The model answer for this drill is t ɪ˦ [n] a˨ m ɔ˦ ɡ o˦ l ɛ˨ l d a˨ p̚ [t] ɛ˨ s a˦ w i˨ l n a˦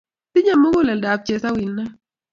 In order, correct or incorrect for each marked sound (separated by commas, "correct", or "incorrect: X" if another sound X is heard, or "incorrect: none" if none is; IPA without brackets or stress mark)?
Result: incorrect: ɲ, incorrect: t͡ʃ